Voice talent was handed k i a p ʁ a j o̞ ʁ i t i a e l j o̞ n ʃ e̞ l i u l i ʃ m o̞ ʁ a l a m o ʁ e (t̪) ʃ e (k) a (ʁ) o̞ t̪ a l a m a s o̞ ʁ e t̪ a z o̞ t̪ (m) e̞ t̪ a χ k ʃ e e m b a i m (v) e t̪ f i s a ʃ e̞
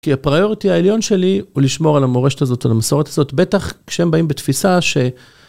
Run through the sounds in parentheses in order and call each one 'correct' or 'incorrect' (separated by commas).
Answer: incorrect, incorrect, incorrect, incorrect, incorrect